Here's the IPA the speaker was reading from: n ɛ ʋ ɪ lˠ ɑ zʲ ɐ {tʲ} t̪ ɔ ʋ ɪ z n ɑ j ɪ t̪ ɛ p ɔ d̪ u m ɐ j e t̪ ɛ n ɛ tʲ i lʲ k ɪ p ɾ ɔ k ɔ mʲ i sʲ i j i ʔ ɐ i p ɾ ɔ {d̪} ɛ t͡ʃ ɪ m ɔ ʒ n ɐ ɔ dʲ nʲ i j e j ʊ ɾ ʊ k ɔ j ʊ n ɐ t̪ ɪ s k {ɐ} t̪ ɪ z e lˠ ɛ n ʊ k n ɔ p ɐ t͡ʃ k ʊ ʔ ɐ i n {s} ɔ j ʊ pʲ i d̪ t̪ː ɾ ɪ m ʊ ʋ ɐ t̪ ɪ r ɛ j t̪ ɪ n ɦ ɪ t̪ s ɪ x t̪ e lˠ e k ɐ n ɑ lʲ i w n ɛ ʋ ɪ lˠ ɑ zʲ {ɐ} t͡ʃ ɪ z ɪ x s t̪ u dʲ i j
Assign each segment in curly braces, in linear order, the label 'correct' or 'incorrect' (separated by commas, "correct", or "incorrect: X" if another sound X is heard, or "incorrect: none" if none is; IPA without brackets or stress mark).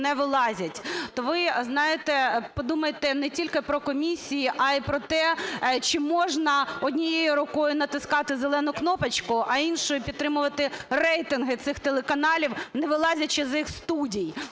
correct, incorrect: t̪, incorrect: ɑ, incorrect: ʃ, correct